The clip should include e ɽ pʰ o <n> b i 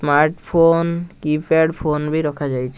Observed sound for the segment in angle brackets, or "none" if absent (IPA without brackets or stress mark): n